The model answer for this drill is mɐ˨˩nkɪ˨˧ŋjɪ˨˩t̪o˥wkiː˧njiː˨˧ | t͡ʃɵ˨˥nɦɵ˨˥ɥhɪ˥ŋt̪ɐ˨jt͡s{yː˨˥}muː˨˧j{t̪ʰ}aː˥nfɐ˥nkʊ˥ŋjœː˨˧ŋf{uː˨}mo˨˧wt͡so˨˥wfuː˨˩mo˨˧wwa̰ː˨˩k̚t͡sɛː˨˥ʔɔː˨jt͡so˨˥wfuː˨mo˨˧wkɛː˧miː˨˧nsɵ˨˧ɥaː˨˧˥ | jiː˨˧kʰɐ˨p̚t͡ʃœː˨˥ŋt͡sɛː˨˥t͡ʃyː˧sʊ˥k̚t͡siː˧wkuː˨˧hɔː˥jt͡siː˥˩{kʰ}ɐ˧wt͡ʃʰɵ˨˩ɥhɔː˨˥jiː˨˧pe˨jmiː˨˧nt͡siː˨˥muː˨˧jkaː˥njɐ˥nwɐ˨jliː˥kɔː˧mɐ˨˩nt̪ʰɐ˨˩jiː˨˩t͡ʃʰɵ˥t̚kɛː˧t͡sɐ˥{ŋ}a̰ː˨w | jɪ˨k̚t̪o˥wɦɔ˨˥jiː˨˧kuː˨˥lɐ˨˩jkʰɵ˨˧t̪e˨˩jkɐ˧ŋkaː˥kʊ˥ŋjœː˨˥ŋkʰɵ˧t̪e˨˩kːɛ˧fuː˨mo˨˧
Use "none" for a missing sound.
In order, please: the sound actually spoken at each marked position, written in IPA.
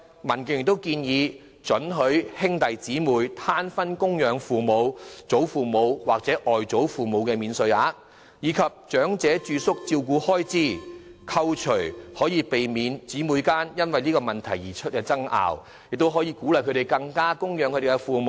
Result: iː˨˥, t̪ʰ, uː˨, kʰ, ŋ

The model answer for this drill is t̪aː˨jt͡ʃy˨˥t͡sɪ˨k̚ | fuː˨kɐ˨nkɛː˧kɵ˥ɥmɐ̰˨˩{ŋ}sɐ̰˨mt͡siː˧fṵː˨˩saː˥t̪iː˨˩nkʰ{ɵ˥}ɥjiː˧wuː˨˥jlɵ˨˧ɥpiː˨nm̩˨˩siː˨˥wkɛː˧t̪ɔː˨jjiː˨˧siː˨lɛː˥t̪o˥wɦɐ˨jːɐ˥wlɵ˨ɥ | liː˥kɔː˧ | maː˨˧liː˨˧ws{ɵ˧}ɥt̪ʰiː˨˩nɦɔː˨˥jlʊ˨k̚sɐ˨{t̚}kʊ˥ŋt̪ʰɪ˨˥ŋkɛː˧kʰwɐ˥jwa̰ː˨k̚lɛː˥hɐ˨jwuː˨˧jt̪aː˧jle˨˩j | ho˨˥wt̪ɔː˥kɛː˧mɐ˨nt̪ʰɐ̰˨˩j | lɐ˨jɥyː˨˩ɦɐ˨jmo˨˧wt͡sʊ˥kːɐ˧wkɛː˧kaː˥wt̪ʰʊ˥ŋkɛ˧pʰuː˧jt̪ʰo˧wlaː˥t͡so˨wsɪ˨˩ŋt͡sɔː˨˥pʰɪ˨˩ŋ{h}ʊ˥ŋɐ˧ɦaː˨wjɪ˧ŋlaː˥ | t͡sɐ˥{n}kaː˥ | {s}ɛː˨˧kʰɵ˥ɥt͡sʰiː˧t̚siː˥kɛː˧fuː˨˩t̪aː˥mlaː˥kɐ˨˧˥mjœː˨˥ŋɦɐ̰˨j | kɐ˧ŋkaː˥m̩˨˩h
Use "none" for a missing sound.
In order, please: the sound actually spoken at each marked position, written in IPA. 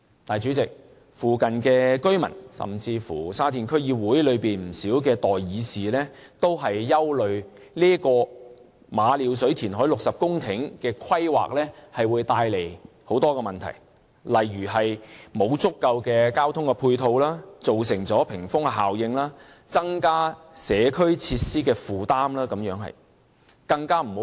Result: n, ɵ˥, ɵ˨˥, p̚, f, ŋ, s

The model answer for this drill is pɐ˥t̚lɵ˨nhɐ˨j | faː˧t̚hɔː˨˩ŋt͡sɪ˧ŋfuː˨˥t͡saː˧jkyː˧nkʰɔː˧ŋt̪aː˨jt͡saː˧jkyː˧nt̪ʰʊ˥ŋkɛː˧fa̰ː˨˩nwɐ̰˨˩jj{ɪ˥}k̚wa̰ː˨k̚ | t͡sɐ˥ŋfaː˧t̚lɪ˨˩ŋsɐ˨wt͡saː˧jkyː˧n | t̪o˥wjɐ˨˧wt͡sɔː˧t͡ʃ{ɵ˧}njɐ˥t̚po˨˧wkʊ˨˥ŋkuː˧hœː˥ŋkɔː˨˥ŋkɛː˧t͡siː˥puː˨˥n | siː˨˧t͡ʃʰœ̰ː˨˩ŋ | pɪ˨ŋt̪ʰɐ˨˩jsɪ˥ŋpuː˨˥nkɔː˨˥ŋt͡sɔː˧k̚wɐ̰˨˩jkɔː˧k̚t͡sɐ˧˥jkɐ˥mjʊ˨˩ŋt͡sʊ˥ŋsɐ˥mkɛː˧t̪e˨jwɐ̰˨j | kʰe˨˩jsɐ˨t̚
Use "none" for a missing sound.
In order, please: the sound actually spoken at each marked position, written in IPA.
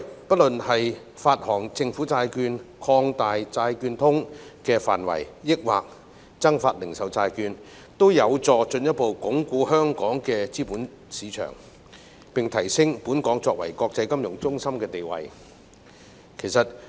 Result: ɪ˥, ɵ˧

